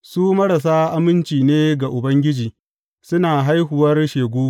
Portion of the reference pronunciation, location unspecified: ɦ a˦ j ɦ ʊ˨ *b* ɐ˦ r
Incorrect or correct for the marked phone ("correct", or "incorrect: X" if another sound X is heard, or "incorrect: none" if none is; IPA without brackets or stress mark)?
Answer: incorrect: w